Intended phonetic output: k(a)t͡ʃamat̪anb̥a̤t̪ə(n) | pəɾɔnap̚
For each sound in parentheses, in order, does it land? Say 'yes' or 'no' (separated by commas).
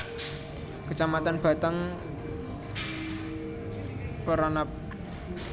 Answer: no, no